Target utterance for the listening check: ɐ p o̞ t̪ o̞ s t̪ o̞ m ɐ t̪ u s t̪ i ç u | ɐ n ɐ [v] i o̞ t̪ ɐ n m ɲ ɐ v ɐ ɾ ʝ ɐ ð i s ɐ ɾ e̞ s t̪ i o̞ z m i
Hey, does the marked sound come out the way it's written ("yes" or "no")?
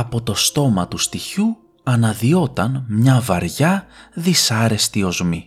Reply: no